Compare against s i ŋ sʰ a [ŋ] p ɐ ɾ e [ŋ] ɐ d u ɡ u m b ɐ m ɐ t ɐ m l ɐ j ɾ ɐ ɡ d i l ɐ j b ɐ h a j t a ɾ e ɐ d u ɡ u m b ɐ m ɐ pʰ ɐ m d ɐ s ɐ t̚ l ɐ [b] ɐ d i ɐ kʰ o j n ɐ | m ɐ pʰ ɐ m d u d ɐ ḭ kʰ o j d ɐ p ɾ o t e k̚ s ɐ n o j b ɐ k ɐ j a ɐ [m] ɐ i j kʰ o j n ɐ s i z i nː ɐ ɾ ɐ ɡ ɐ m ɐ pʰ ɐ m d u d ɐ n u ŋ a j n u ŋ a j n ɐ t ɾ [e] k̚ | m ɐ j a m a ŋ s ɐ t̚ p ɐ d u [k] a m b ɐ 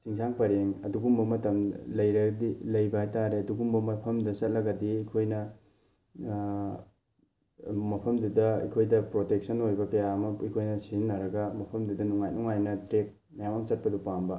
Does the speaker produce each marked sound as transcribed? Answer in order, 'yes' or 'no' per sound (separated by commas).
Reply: yes, yes, no, yes, yes, no